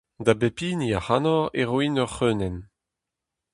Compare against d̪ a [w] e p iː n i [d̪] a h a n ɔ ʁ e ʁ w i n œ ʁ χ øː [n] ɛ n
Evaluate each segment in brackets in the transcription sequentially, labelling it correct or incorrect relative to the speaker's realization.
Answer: incorrect: b, incorrect: none, correct

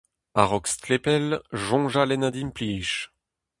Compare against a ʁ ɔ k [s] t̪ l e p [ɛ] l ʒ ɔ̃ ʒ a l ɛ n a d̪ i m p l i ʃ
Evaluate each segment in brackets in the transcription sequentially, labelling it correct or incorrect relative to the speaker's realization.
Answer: correct, correct

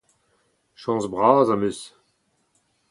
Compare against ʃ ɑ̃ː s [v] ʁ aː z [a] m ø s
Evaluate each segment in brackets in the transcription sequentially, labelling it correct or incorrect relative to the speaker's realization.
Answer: incorrect: b, correct

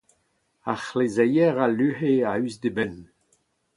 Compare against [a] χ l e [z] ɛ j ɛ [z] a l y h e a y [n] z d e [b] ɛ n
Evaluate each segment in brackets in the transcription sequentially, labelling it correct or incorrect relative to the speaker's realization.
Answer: correct, correct, incorrect: ʁ, incorrect: none, correct

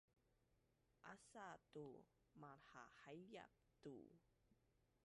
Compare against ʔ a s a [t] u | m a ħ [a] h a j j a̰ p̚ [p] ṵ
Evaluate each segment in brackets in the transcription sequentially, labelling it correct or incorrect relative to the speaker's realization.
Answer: correct, correct, incorrect: t

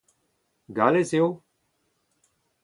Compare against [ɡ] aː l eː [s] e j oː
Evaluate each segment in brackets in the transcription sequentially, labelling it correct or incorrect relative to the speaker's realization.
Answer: correct, correct

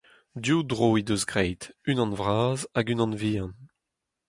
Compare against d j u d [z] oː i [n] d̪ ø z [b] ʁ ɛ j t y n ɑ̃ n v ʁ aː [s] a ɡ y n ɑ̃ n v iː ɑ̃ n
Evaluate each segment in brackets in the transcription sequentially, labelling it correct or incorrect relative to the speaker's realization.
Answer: incorrect: ʁ, incorrect: none, incorrect: ɡ, incorrect: z

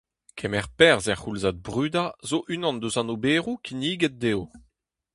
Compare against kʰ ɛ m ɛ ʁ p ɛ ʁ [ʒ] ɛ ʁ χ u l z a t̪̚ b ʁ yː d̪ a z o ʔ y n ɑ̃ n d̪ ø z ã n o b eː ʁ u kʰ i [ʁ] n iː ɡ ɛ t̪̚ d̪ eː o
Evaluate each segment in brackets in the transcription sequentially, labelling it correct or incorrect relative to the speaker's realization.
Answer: incorrect: z, incorrect: none

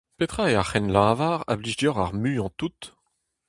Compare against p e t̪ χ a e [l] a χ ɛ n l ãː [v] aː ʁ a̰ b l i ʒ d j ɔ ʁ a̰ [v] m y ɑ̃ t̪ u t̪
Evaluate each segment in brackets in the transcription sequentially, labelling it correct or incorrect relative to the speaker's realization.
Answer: incorrect: none, correct, incorrect: ʁ

